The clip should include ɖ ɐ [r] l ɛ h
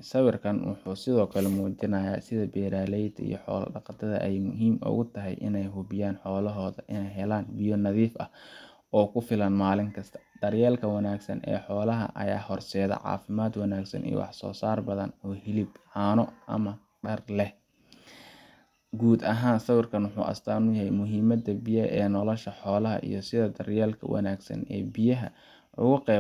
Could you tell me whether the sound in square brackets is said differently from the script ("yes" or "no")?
no